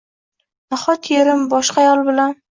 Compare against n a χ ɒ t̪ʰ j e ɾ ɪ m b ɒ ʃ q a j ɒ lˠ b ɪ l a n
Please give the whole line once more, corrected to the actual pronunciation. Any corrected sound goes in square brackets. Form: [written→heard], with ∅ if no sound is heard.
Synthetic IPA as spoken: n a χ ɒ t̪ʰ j e ɾ ɪ m b ɒ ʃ q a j ɒ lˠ b ɪ l a n